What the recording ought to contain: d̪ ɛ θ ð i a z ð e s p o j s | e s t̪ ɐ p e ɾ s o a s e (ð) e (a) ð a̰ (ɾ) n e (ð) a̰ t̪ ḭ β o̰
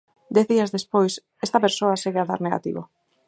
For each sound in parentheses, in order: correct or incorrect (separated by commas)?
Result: incorrect, correct, correct, incorrect